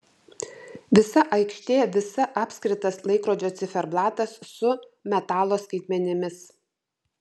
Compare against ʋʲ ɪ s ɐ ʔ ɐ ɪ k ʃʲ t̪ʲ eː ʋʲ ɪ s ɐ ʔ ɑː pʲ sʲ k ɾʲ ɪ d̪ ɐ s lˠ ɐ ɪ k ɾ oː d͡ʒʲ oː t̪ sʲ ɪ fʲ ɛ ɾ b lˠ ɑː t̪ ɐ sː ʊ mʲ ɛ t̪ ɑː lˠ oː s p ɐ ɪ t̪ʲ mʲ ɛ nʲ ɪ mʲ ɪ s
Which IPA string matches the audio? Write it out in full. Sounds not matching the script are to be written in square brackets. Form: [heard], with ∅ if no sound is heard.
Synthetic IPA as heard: ʋʲ ɪ s ɐ ʔ ɐ ɪ k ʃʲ t̪ʲ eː ʋʲ ɪ s ɐ ʔ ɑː pʲ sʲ k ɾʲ ɪ [t̪] ɐ s lˠ ɐ ɪ k ɾ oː d͡ʒʲ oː t̪ sʲ ɪ fʲ ɛ ɾ b lˠ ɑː t̪ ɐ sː ʊ mʲ ɛ t̪ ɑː lˠ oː s [k] ɐ ɪ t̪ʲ mʲ ɛ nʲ ɪ mʲ ɪ s